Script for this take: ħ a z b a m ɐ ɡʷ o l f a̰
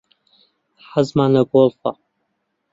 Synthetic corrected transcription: ħ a z m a n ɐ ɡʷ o l f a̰